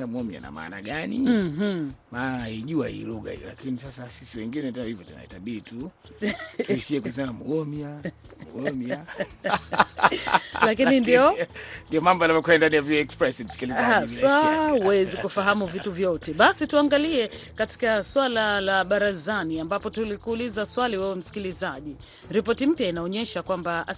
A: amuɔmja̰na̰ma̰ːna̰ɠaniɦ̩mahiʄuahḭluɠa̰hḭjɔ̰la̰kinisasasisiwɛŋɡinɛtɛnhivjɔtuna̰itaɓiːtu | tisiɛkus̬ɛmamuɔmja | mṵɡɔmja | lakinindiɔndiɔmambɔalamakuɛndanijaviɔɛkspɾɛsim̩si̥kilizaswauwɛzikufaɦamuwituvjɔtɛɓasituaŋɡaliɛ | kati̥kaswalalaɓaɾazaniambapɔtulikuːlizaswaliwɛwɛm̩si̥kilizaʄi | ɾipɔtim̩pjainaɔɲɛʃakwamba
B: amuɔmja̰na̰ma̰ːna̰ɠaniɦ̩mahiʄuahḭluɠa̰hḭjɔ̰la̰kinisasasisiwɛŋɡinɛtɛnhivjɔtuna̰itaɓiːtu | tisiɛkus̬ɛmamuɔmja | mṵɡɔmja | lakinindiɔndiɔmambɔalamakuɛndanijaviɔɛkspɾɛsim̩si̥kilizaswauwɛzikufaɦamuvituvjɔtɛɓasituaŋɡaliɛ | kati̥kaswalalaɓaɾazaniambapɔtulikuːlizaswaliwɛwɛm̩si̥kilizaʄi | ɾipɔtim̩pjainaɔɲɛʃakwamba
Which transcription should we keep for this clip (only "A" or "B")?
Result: B